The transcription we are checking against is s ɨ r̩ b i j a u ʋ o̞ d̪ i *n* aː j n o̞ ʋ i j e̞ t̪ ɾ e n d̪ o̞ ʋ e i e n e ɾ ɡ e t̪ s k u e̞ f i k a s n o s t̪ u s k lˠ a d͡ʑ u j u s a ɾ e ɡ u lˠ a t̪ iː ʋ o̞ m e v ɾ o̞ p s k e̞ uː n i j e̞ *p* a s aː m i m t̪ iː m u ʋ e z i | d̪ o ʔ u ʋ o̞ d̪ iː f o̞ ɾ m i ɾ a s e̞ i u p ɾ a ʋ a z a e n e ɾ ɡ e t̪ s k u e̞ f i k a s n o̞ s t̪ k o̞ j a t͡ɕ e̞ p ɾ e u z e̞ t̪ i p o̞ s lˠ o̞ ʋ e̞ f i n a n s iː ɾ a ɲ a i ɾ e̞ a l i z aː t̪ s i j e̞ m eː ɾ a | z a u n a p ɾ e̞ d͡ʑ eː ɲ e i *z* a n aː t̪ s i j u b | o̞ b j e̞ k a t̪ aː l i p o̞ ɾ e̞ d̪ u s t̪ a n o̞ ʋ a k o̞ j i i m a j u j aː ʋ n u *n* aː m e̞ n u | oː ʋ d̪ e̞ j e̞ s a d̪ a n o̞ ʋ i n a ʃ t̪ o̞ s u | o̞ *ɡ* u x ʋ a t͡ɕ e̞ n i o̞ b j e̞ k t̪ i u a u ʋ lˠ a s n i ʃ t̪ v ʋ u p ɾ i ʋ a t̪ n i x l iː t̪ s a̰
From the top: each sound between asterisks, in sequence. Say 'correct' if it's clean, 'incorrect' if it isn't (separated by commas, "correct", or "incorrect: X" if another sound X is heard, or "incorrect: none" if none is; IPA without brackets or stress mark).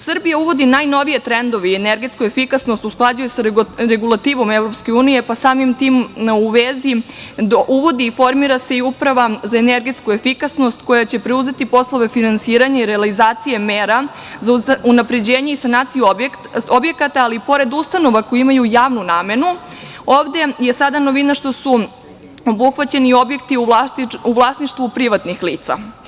correct, correct, incorrect: s, correct, incorrect: b